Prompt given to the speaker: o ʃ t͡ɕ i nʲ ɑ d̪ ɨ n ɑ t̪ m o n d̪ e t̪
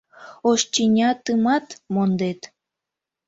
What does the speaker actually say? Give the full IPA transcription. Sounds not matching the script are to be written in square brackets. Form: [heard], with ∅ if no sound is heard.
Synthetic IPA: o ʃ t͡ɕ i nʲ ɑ [t̪] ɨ [m] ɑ t̪ m o n d̪ e t̪